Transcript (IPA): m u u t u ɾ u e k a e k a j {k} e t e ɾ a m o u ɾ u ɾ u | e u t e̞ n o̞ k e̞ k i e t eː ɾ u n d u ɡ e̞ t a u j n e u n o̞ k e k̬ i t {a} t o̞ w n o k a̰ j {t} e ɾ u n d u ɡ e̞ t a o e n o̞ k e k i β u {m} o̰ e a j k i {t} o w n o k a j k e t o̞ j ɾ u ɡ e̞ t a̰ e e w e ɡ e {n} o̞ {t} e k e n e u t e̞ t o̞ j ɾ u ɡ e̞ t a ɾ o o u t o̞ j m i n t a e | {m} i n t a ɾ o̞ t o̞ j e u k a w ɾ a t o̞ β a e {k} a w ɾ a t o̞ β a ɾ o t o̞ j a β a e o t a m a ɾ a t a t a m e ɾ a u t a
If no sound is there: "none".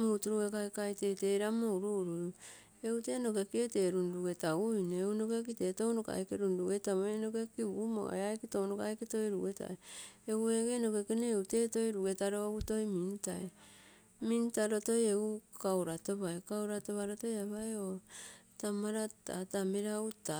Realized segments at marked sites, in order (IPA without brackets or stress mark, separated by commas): t, e, k, m, t, n, k, m, k